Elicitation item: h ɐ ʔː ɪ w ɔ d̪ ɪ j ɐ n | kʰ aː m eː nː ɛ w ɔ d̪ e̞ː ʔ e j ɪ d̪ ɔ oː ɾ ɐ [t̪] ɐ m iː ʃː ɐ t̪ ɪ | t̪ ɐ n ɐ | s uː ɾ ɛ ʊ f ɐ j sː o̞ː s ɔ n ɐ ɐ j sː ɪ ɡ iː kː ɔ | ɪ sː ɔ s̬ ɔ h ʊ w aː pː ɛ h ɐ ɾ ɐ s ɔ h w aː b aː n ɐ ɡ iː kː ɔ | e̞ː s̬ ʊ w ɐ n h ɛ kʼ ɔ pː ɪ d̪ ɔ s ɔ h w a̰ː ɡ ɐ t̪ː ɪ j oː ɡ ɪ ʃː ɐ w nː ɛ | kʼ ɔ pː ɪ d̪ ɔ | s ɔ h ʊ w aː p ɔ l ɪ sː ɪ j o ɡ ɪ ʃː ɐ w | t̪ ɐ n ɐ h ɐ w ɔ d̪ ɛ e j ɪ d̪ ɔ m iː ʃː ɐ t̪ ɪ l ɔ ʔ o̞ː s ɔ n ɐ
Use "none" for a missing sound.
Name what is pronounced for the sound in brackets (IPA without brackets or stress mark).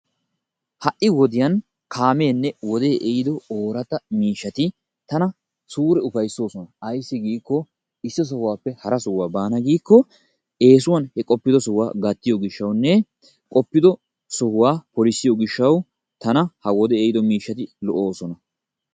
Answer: t̪